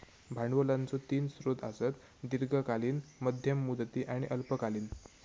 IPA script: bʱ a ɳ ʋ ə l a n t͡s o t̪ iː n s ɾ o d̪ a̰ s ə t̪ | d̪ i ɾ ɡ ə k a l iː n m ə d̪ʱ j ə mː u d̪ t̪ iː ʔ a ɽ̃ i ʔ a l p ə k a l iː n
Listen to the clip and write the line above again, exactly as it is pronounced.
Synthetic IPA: bʱ a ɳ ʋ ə l a n t͡s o t̪ iː n s ɾ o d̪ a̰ s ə t̪ | d̪ i ɾ ɡ ə k a l iː n m ə d̪ʱ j ə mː u d̪ t̪ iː ʔ a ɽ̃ i ʔ ə l p ə k a l iː n